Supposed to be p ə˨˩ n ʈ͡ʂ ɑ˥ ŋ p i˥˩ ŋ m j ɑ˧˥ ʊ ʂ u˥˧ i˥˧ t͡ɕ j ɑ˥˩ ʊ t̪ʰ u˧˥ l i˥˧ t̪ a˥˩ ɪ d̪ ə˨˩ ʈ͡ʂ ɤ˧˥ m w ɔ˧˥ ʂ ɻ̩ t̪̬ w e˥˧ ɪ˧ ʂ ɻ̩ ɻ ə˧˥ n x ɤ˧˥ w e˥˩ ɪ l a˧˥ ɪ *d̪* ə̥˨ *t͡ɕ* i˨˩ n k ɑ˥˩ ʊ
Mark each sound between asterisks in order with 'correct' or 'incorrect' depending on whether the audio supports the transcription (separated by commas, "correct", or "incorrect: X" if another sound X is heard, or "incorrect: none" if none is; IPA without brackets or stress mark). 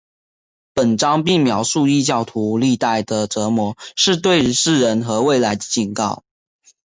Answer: correct, correct